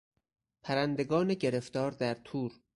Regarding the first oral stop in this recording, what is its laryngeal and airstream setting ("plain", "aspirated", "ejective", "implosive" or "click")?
aspirated